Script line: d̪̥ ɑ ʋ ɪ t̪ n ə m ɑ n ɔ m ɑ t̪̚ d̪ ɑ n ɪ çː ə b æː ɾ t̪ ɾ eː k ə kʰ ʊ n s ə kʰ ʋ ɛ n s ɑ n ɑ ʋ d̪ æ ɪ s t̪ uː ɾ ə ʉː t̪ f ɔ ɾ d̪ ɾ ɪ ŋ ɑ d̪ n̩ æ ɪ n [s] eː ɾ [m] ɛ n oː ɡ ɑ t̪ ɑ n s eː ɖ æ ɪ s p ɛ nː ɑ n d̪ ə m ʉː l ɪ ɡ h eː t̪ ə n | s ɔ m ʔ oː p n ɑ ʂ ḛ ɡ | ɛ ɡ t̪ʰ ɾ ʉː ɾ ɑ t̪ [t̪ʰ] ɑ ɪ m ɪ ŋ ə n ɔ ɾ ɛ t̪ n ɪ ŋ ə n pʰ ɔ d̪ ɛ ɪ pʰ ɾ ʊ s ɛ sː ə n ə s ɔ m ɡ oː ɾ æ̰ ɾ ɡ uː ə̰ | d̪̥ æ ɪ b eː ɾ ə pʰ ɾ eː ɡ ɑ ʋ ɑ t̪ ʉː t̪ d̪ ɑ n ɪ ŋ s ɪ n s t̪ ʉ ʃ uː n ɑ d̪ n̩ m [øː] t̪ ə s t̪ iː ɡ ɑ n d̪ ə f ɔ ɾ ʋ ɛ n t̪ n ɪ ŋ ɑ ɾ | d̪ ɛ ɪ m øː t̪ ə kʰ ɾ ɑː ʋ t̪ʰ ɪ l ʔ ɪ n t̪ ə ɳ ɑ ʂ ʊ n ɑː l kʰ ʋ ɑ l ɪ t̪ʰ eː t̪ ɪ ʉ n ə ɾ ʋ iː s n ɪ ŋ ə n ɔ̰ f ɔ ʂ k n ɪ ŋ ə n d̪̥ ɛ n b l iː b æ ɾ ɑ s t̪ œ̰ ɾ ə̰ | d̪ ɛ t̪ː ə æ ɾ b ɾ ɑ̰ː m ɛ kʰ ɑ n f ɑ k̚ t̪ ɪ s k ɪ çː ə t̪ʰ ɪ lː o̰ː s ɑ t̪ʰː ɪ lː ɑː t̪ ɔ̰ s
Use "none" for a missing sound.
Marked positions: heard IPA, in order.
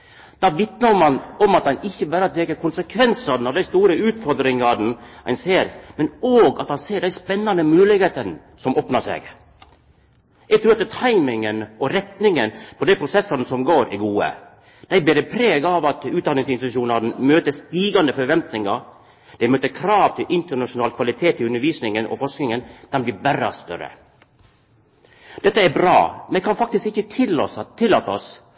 s, m, t̪ʰ, øː

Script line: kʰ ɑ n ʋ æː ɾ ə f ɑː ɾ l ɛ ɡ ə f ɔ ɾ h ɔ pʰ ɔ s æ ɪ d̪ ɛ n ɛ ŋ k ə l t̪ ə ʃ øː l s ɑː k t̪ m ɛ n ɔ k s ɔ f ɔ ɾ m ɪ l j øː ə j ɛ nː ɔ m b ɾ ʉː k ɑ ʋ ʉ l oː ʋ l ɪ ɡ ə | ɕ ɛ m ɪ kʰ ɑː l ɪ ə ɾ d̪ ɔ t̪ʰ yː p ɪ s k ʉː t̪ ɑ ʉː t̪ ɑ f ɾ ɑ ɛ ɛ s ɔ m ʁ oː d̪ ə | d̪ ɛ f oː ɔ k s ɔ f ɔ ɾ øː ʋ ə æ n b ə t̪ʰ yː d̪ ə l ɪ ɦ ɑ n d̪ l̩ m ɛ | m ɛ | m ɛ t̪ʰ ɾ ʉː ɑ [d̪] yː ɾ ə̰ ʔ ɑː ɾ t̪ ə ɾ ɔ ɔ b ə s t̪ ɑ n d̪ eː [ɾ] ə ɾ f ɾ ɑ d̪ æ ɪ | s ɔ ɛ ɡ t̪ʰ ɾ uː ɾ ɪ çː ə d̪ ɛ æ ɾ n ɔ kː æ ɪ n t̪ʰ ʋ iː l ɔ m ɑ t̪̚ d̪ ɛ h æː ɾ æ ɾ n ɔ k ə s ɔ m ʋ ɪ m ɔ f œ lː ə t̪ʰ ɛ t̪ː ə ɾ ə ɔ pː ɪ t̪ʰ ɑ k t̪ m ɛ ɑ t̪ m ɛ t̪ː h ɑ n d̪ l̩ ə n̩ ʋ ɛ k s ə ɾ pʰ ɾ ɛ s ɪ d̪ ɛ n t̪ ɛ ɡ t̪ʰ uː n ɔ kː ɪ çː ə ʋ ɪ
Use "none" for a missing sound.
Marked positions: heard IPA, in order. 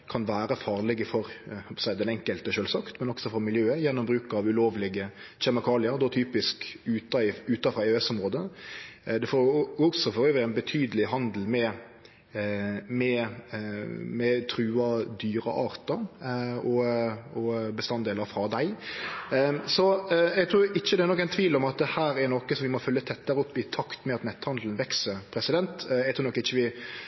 d̪, l

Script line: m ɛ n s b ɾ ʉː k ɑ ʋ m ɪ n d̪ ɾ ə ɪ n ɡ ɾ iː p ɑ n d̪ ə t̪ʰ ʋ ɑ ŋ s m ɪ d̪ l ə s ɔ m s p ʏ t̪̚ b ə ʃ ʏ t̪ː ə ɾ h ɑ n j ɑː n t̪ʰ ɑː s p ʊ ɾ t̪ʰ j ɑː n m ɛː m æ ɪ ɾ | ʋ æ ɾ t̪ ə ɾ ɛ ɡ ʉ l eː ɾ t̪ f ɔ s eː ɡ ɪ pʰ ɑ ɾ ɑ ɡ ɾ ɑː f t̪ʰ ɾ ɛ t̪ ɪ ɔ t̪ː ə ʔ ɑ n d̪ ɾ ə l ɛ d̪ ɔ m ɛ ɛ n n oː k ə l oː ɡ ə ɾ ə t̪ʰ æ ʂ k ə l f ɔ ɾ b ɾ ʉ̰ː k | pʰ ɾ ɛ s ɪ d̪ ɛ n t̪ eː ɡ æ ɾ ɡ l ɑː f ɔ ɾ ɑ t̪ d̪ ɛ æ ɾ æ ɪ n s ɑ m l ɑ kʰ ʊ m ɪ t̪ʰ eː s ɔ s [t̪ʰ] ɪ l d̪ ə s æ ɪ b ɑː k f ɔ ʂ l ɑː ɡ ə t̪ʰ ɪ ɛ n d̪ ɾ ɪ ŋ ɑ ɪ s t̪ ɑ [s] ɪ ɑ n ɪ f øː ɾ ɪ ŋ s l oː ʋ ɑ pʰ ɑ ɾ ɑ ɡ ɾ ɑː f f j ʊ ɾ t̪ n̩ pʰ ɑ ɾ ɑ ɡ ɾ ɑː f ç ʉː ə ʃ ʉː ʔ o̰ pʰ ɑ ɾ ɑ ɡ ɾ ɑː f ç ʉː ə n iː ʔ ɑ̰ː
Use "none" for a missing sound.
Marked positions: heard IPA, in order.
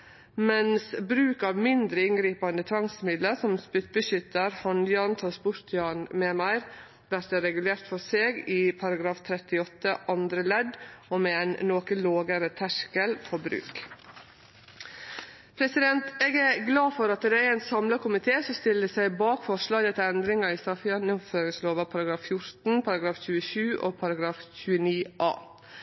t̪, f

